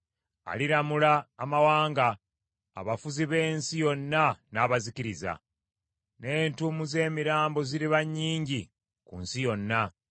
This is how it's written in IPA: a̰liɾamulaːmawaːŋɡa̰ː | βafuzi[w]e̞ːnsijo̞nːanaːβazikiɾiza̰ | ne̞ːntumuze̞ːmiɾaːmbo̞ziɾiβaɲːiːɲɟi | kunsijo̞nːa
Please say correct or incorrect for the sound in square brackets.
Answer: incorrect: β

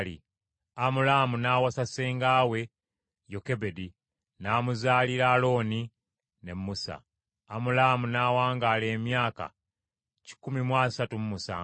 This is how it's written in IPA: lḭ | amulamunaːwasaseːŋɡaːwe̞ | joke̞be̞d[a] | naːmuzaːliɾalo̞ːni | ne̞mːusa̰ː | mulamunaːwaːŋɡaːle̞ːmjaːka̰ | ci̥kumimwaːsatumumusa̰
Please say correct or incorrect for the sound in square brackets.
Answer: incorrect: i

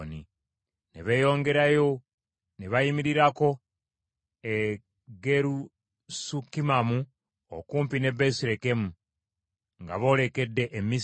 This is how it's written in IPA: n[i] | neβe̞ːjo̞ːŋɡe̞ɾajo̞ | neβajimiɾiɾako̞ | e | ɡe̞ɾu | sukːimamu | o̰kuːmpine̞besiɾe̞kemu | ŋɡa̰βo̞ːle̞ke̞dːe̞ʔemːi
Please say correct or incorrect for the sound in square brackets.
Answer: correct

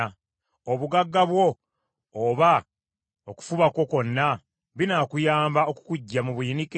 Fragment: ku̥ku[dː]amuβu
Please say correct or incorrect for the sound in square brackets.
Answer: incorrect: ɟː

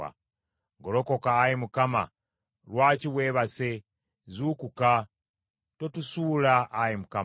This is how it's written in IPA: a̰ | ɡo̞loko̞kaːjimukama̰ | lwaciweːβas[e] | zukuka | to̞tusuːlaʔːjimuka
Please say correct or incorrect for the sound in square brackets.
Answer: correct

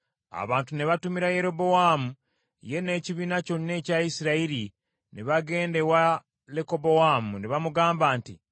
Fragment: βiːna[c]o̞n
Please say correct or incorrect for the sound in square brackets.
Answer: correct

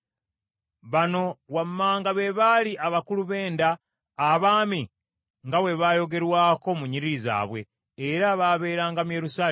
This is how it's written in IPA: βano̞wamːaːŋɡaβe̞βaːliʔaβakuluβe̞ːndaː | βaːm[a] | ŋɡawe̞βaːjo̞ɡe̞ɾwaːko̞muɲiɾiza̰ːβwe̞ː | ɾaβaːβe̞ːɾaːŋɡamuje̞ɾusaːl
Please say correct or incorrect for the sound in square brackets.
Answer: incorrect: i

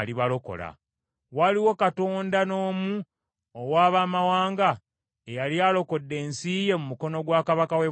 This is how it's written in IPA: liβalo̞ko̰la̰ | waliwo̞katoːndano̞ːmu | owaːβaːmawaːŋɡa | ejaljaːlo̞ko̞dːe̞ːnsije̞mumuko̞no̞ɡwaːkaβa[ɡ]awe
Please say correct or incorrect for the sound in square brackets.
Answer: incorrect: k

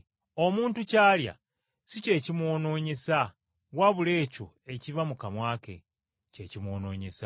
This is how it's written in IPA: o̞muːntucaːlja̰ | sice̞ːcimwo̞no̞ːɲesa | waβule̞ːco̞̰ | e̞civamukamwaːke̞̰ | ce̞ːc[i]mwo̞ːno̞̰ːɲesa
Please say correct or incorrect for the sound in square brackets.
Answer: correct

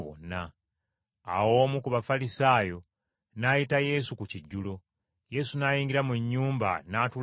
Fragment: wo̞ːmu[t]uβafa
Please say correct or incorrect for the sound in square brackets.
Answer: incorrect: k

